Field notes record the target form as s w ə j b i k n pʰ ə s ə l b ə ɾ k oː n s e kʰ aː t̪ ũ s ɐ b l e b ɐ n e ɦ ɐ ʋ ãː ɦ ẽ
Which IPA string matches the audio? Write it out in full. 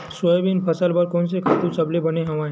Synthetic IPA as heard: s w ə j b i n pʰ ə s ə l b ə ɾ k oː n s e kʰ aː t̪ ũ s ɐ b l e b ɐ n e ɦ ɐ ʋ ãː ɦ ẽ